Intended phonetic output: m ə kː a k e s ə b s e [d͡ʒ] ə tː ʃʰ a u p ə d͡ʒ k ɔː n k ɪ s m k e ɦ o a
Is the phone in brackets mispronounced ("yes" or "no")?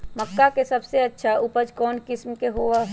yes